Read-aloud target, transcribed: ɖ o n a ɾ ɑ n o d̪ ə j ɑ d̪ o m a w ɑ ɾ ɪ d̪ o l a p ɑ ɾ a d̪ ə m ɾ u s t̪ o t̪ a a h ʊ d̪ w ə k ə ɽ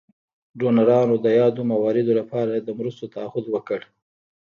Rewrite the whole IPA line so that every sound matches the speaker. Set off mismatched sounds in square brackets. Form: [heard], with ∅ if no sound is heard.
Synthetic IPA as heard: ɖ o n a ɾ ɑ n o d̪ ə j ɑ d̪ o m a w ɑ ɾ ɪ d̪ o l a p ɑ ɾ a d̪ ə m ɾ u s t̪ o t̪ a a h ʊ d̪ w ə k ə ɽ